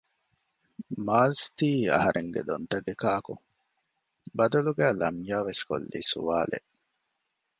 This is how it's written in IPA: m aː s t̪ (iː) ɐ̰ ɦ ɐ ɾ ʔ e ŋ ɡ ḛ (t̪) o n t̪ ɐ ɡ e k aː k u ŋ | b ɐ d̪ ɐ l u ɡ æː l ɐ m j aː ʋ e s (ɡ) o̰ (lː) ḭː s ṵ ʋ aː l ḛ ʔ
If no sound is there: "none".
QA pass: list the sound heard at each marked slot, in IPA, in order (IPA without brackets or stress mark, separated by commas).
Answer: iː, d̪, k, lː